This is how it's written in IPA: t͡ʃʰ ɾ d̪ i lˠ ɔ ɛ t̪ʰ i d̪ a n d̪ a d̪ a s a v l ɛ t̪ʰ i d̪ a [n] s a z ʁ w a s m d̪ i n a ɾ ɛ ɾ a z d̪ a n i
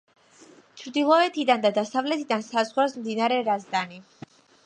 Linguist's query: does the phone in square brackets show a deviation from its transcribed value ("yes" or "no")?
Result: no